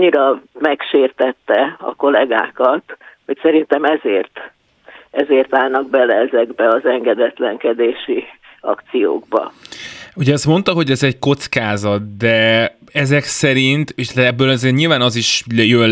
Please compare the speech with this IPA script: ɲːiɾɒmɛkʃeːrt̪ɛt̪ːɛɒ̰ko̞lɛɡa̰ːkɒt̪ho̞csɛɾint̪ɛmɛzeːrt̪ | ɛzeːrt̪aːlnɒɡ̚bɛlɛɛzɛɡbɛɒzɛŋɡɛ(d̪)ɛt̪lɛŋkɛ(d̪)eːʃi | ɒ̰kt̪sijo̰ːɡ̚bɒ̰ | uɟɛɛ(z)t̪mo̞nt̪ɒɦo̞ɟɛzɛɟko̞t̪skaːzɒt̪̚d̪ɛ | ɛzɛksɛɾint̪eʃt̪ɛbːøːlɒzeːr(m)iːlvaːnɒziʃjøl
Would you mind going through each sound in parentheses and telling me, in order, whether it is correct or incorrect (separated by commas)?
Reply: correct, correct, incorrect, incorrect